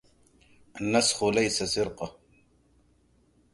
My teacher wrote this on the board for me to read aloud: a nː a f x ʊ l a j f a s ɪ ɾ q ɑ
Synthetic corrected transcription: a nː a s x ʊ l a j s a s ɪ ɾ q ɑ